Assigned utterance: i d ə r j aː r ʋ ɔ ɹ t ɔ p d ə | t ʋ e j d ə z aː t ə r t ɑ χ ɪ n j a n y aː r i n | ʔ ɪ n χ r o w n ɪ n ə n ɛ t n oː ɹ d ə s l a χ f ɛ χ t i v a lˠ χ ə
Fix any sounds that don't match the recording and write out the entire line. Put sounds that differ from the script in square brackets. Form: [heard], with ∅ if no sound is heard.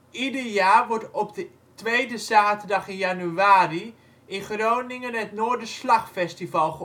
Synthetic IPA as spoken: i d ə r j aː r ʋ ɔ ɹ t ɔ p d ə | t ʋ e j d ə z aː t ə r [d] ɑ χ ɪ n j a n y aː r i [∅] | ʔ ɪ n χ r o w n ɪ [ŋ] ə n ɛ t n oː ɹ d ə s l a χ f ɛ [s] t i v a lˠ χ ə